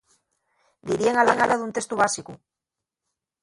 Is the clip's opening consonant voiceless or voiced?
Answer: voiced